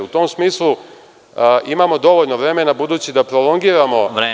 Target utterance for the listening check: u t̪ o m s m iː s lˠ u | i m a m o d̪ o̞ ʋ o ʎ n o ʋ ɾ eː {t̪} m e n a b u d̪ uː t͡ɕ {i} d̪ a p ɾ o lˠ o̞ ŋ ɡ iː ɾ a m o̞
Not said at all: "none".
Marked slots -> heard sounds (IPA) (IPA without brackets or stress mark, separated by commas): none, i